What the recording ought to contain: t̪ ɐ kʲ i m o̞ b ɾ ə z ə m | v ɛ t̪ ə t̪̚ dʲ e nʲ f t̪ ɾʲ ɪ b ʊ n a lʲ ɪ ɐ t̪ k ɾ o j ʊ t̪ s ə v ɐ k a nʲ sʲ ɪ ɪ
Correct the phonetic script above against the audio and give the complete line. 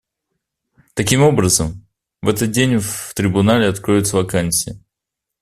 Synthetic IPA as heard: t̪ ɐ kʲ i m o̞ b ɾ ə z ə m | v ɛ t̪ ə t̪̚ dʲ e nʲ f t̪ ɾʲ ɪ b ʊ n a lʲ ɪ ɐ t̪ k ɾ o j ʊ t̪ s ə v ɐ k a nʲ sʲ ɪ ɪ